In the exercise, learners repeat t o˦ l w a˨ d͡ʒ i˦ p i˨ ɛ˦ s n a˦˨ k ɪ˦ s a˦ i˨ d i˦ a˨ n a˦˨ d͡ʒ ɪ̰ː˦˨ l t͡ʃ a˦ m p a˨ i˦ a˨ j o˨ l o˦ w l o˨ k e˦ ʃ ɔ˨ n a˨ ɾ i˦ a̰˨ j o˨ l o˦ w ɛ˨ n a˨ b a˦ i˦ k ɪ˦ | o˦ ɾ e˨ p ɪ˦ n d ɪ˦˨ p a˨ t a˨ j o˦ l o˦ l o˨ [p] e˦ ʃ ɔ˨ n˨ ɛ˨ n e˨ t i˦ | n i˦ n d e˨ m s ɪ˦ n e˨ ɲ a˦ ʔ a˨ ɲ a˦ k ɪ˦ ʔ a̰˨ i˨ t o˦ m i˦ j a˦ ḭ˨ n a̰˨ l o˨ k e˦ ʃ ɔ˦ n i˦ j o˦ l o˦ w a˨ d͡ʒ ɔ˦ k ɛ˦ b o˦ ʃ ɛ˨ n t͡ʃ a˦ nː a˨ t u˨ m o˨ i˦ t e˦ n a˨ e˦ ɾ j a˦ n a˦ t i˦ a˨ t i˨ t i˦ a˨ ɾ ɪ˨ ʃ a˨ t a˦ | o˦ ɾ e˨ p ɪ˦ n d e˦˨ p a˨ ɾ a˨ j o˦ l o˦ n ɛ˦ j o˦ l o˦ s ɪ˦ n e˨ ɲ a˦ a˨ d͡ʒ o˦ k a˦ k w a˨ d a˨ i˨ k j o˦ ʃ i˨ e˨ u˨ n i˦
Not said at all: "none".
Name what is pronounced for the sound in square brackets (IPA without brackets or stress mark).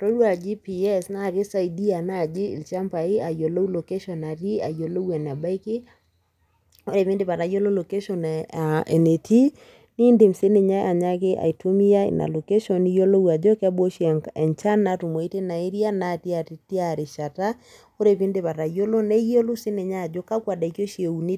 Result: k